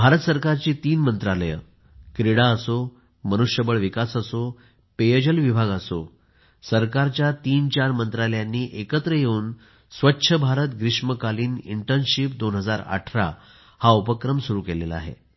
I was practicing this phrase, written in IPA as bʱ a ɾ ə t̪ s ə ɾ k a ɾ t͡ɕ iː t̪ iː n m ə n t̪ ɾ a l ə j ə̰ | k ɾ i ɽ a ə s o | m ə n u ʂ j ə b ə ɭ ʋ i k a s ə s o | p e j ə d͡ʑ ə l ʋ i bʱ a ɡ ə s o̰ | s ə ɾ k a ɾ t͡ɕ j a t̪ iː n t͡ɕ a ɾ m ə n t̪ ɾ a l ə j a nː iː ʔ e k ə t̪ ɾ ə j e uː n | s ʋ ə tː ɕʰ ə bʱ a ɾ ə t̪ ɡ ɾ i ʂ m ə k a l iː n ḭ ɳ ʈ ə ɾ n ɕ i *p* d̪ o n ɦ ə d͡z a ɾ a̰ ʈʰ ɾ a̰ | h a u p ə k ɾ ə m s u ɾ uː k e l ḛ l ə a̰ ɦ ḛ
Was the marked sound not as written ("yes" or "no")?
no